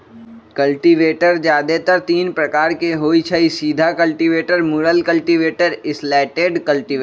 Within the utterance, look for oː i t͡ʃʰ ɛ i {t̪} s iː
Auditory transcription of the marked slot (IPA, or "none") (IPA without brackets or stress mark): none